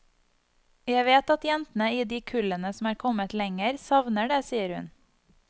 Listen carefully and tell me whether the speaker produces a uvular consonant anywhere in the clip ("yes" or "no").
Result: no